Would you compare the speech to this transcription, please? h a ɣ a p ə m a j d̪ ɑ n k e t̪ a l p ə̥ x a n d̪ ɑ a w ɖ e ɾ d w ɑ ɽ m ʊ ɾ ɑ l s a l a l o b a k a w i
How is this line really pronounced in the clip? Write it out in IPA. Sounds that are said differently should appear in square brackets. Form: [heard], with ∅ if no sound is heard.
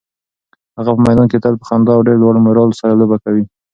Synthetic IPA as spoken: h a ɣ a p ə m a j d̪ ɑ n k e t̪ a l p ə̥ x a n d̪ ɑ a w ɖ e ɾ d w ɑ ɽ m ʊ ɾ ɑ l s a [ɾ] a l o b a k a w i